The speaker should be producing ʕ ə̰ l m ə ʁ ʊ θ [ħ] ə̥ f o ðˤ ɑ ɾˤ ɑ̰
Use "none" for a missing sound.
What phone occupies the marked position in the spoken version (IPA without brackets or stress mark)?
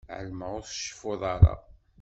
ʃ